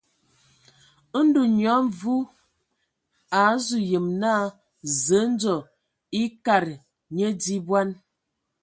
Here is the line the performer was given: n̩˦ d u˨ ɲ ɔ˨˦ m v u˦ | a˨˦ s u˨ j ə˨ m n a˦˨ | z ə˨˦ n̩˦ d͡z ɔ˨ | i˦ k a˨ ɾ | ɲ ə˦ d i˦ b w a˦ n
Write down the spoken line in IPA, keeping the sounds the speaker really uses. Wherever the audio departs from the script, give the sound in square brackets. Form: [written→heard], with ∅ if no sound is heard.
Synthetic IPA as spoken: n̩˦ d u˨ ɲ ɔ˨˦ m v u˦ | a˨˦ [s→z] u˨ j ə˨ m n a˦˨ | z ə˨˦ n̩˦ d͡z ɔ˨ | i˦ k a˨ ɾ | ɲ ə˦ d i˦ b w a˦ n